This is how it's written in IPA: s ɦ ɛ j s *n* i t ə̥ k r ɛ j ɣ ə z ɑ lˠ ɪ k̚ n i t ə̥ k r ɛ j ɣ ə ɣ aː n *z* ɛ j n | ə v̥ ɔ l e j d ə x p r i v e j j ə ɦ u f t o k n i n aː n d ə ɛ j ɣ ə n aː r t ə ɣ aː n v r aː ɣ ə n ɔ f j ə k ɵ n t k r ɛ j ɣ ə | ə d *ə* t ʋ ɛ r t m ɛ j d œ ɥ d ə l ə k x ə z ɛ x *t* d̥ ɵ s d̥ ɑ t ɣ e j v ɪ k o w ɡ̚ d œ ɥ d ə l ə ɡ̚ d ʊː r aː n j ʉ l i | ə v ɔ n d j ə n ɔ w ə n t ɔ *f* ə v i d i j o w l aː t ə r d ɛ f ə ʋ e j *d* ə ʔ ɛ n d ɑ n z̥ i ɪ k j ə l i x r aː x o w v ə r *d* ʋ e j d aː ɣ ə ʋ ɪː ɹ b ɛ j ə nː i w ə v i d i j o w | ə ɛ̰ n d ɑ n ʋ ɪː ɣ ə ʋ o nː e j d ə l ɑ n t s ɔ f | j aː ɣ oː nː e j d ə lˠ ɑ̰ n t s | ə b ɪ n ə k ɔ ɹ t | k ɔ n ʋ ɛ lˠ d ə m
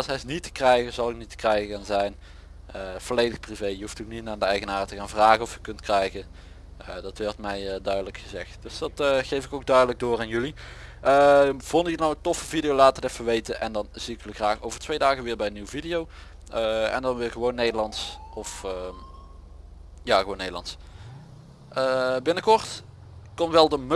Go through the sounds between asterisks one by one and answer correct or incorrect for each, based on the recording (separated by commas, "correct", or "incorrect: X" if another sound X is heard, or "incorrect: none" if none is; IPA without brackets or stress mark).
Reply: correct, correct, incorrect: ɑ, correct, correct, incorrect: t, incorrect: t